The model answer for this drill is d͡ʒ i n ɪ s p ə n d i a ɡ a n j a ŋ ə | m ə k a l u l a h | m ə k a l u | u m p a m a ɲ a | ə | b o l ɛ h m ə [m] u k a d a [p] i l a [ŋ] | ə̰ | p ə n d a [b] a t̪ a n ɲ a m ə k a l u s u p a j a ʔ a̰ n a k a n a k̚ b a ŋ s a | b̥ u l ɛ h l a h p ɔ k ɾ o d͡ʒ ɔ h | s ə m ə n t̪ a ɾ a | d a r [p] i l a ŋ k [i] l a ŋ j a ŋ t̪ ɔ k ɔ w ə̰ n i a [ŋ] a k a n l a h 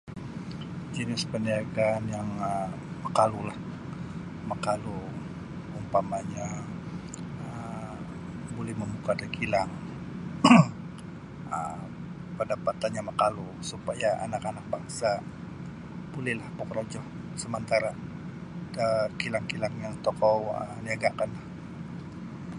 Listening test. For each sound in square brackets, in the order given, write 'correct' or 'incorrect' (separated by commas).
correct, incorrect, correct, incorrect, incorrect, correct, incorrect